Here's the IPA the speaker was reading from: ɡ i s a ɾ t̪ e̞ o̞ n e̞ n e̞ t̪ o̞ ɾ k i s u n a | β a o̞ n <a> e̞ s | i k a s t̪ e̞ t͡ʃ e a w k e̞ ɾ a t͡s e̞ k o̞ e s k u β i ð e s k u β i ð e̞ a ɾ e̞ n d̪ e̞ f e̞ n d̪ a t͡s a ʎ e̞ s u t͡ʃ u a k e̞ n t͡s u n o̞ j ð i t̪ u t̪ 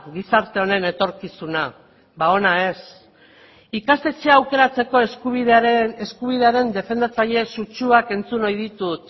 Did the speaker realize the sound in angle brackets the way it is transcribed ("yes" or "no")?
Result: yes